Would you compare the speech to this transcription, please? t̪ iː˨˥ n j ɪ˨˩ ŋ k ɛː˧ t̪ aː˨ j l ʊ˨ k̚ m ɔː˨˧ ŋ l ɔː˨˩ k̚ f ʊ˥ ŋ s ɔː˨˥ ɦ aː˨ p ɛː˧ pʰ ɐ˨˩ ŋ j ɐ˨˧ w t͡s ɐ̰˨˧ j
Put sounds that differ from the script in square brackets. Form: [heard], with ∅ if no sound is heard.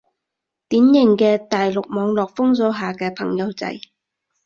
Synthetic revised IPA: t̪ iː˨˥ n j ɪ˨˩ ŋ k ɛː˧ t̪ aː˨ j l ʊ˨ k̚ m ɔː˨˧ ŋ l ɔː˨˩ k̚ f ʊ˥ ŋ s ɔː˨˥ ɦ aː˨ [k] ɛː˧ pʰ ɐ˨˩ ŋ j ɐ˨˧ w t͡s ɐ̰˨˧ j